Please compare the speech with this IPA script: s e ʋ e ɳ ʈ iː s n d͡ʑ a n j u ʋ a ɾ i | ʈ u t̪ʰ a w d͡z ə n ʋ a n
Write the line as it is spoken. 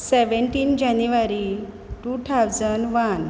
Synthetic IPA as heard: s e ʋ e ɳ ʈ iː n d͡ʑ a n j u ʋ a ɾ i | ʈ u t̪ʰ a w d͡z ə n ʋ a n